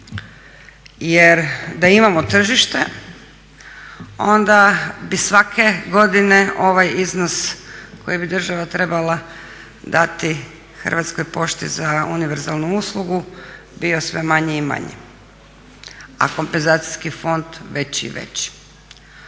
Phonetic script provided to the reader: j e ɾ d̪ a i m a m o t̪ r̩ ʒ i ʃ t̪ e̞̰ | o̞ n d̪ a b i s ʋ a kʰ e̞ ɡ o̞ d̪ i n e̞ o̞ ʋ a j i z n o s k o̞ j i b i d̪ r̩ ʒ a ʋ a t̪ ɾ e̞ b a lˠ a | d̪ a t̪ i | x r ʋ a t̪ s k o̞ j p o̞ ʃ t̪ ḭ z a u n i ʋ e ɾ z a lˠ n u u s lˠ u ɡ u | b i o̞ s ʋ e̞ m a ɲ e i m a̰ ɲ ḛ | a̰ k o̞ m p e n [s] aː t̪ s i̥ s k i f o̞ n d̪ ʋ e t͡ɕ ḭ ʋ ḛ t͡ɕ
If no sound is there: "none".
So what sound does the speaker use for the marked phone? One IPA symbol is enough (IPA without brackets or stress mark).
z